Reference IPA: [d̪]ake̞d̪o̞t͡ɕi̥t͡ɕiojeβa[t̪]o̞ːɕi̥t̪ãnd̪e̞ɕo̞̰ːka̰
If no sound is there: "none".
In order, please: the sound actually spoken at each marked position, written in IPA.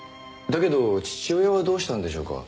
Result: d̪, d̪

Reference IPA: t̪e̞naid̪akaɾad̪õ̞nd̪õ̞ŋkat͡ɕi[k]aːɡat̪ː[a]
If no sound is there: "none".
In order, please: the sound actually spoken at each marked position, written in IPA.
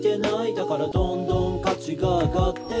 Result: ɡ, e

